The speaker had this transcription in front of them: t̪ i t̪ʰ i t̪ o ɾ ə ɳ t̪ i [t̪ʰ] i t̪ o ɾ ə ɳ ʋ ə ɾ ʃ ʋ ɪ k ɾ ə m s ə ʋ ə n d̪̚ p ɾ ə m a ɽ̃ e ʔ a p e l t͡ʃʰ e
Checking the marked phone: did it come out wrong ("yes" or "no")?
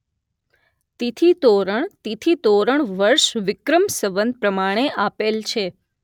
no